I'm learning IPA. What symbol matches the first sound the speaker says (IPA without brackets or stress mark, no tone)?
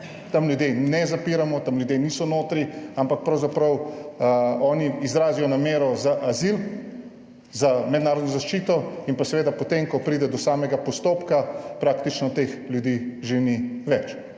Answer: t̪